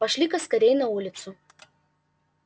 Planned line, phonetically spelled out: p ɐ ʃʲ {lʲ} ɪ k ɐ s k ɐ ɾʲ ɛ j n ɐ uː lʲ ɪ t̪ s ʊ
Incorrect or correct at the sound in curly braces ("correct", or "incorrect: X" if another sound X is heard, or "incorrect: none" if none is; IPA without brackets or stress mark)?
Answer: correct